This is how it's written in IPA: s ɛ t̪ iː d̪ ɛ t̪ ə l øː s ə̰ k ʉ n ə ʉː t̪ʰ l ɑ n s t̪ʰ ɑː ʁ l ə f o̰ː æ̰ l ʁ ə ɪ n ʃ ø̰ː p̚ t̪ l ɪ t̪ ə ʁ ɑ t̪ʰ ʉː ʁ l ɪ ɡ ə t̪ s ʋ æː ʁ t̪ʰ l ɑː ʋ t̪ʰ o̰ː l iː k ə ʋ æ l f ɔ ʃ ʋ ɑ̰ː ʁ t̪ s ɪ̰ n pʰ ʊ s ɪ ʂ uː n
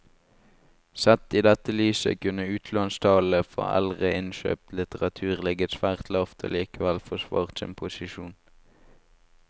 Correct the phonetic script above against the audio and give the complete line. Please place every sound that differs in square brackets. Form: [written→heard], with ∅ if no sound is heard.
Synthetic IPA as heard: s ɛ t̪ iː d̪ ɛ t̪ ə l [øː→yː] s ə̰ k ʉ n ə ʉː t̪ʰ l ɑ n s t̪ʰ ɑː [ʁ→∅] l ə f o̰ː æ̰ l ʁ ə ɪ n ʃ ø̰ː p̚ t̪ l ɪ t̪ ə ʁ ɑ t̪ʰ ʉː ʁ l ɪ ɡ ə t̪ s ʋ æː ʁ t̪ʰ l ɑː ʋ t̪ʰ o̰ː l iː k ə ʋ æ l f ɔ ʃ ʋ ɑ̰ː ʁ t̪ s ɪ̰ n pʰ ʊ s ɪ [ʂ→ʃ] uː n